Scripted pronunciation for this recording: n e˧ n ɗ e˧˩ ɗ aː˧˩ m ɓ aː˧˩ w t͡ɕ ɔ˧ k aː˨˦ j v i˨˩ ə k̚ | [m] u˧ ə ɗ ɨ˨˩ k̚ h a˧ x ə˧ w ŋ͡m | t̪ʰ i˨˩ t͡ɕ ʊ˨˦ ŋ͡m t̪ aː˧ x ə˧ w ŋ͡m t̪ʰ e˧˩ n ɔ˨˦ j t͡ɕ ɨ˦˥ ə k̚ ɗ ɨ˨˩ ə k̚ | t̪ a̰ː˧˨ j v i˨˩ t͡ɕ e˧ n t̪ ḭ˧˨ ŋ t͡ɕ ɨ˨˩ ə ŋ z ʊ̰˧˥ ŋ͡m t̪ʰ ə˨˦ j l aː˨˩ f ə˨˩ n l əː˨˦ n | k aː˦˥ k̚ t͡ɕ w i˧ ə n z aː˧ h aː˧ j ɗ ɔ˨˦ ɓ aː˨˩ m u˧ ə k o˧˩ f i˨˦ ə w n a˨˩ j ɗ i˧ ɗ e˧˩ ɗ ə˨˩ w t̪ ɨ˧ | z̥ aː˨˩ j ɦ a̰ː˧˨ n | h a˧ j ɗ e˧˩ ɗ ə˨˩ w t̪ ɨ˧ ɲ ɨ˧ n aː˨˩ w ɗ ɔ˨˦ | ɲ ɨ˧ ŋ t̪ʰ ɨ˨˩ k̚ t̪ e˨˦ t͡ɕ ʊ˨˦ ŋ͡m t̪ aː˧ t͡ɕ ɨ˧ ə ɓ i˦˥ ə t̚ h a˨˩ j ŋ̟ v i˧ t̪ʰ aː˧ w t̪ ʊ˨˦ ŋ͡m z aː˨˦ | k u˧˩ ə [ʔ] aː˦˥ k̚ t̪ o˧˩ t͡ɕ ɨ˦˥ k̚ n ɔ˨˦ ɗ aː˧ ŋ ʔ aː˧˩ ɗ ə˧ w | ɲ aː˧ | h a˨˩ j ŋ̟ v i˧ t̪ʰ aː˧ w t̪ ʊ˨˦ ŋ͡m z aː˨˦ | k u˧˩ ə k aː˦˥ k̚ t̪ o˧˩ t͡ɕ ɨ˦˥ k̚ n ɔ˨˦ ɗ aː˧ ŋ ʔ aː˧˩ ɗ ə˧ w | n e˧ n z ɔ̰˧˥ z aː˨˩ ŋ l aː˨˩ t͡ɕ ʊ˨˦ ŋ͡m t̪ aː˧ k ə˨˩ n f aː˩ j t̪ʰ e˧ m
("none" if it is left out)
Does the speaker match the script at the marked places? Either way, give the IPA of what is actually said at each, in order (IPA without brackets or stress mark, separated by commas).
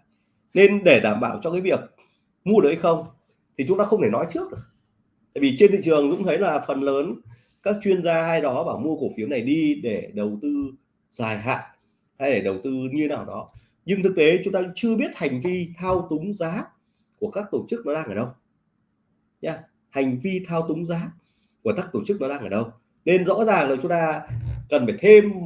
m, k